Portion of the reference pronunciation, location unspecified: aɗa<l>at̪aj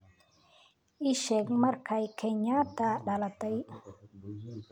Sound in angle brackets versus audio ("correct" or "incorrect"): correct